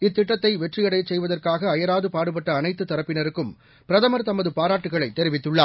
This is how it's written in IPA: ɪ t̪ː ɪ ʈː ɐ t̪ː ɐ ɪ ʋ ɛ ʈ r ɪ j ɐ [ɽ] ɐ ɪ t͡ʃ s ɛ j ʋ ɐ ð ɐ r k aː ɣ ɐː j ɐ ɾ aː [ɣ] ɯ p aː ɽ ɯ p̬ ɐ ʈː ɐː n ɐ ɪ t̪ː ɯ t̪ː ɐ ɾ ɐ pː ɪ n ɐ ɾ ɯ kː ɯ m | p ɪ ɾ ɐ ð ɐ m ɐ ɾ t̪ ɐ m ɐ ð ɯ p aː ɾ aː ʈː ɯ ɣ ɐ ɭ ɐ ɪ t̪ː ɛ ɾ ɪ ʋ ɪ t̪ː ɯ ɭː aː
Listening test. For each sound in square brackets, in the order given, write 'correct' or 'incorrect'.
correct, incorrect: ð

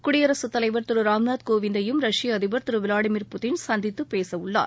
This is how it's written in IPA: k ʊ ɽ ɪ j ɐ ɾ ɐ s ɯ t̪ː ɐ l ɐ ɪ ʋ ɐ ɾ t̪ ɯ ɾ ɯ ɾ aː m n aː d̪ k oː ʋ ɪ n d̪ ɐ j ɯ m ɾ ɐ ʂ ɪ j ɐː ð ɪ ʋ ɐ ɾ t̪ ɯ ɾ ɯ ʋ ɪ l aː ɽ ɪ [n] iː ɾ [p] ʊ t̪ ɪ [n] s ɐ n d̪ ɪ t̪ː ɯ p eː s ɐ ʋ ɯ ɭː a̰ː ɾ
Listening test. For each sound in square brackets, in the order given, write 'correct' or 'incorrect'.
incorrect: m, correct, correct

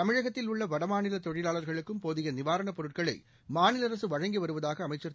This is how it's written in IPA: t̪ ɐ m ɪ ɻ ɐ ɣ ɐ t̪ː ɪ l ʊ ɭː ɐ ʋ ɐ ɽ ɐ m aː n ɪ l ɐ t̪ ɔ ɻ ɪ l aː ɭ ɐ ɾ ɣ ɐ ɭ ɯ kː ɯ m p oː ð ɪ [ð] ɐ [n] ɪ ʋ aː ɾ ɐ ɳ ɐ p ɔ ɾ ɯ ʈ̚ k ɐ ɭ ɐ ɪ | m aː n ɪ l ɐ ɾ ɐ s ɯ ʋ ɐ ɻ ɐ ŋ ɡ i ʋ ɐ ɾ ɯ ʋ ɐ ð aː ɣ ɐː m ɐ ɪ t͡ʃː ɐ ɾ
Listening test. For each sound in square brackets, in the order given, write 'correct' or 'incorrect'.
incorrect: ɣ, correct

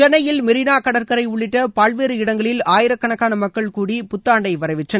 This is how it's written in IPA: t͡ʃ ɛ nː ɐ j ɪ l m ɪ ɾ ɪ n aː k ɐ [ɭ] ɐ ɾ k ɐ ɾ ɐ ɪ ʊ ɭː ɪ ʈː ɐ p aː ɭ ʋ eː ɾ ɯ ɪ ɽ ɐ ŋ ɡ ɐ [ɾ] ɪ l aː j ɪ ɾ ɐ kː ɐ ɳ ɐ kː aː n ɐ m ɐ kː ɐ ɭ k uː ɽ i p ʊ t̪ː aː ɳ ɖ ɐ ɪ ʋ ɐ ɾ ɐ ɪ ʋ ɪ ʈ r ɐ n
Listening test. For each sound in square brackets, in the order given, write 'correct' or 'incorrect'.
incorrect: ɽ, incorrect: ɭ

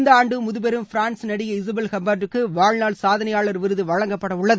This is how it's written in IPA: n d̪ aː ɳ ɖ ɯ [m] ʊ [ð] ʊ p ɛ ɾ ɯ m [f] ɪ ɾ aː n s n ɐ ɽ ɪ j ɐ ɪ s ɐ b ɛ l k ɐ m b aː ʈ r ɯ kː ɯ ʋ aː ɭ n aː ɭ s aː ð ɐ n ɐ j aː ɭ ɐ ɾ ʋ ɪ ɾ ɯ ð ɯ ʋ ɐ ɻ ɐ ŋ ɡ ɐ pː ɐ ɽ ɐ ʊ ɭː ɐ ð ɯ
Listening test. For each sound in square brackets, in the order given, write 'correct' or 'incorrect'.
correct, correct, correct

